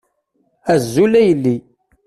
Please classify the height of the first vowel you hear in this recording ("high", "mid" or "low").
low